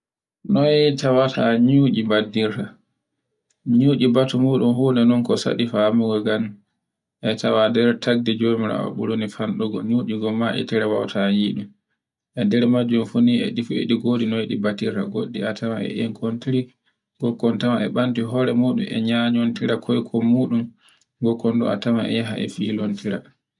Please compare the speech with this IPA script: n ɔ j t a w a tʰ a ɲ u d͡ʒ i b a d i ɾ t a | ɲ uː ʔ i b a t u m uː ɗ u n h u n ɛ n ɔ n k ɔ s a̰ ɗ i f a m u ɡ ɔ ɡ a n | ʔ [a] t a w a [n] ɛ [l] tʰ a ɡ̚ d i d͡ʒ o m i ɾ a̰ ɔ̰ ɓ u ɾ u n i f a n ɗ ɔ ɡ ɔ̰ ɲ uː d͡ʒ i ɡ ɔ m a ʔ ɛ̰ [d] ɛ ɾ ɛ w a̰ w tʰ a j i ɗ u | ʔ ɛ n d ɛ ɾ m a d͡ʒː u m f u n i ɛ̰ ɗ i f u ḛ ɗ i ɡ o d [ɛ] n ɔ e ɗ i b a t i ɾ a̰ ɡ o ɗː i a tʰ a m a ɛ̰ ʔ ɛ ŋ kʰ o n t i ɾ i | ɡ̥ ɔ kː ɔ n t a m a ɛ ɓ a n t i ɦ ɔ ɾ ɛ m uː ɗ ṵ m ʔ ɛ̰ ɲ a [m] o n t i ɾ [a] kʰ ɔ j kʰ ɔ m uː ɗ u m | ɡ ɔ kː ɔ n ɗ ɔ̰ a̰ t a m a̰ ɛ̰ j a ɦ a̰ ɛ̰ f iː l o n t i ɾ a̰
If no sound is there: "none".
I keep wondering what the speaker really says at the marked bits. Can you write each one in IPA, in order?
ɛ, d, ɾ, t, i, ɲ, a

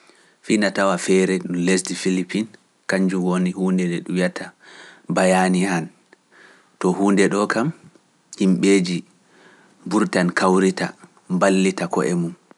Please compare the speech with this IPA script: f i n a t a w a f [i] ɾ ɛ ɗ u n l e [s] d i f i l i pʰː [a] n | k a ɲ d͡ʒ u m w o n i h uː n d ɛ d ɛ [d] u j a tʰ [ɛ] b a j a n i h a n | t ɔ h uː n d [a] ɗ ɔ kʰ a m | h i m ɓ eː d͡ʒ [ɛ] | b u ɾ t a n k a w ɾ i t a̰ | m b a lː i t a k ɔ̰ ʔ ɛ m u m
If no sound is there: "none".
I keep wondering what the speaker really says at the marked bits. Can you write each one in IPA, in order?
ɛ, s, i, ɗ, a, ɛ, i

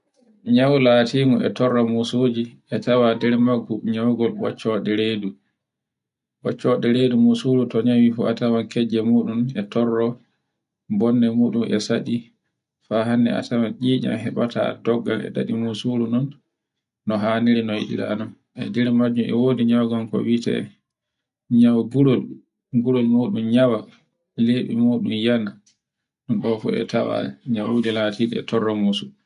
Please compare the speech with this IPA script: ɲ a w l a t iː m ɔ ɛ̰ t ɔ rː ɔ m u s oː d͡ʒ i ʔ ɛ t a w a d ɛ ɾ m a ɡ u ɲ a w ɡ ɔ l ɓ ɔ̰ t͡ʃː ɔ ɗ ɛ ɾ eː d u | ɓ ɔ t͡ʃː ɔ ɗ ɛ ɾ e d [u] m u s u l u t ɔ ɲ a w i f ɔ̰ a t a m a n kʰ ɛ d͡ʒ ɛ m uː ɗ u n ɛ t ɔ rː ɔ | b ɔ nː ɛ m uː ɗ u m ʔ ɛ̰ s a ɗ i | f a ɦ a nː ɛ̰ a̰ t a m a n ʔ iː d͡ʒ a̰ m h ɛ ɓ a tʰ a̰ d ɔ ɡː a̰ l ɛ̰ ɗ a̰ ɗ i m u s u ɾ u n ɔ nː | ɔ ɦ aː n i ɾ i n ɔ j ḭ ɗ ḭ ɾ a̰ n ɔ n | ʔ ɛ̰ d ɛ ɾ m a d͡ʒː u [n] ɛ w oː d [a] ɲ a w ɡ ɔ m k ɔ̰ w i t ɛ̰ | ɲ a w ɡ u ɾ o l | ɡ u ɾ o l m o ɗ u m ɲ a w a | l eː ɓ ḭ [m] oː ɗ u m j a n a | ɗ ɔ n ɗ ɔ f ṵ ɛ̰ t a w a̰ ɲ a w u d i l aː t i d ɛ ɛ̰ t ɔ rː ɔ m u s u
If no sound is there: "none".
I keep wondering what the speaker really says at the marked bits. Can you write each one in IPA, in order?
u, m, i, m

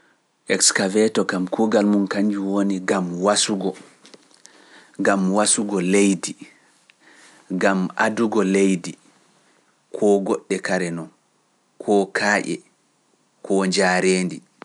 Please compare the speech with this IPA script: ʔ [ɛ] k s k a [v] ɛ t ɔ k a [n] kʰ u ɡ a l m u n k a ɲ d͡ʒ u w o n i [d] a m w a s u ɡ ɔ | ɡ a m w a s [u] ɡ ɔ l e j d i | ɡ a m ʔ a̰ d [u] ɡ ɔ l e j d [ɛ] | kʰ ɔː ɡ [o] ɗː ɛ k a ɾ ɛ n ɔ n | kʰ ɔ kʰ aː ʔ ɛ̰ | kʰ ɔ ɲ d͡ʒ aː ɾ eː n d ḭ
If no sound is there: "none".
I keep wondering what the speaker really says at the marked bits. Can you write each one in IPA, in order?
ɛ, v, m, ɡ, u, u, i, ɔ

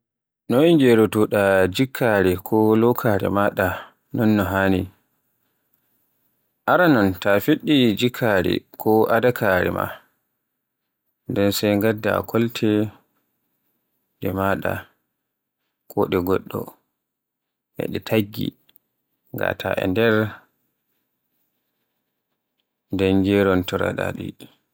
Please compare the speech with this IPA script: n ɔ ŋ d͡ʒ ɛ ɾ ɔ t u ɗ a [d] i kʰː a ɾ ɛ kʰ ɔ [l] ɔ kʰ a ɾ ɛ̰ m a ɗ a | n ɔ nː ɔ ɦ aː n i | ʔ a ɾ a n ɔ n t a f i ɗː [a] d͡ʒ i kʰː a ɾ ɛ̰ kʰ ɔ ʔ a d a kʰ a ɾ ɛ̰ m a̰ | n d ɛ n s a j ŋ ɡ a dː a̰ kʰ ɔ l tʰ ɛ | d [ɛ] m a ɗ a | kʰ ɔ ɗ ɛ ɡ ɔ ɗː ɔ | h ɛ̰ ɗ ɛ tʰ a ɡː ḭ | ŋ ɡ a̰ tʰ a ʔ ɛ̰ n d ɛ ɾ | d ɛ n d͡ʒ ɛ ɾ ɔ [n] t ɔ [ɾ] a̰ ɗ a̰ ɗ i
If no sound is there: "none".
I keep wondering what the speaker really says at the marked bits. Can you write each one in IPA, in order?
d͡ʒ, l, i, ɛ, n, ɾ

